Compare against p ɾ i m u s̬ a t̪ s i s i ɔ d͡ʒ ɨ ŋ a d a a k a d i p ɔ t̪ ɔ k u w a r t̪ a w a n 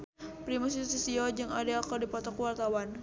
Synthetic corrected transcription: p ɾ i m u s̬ i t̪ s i s i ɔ d͡ʒ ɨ ŋ a d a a k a d i p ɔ t̪ ɔ k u w a r t̪ a w a n